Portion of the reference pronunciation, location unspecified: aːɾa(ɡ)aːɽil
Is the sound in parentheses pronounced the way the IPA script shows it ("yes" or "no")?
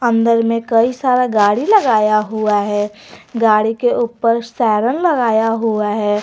yes